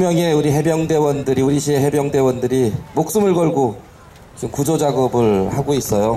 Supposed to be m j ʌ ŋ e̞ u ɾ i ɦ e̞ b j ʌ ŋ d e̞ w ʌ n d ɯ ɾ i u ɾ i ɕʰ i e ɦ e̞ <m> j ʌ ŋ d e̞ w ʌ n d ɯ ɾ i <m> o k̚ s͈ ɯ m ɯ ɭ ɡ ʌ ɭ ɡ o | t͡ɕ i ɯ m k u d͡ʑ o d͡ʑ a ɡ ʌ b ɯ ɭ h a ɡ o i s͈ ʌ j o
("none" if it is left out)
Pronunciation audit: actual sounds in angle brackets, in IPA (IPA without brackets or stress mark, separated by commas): b, m